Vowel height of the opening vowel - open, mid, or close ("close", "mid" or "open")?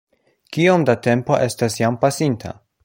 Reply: close